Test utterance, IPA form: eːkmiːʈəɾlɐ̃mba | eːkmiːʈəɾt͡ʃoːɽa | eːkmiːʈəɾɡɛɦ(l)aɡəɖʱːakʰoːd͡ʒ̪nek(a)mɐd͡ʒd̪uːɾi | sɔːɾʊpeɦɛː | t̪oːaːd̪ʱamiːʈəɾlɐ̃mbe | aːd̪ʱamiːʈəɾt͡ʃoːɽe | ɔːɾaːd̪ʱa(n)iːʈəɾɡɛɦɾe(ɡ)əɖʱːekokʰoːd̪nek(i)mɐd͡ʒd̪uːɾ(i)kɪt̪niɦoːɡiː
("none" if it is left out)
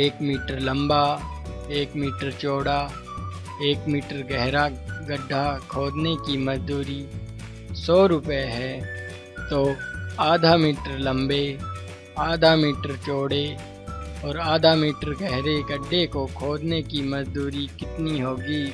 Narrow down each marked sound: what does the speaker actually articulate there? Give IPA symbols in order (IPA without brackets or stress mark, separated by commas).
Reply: ɾ, i, m, ɡ, i, i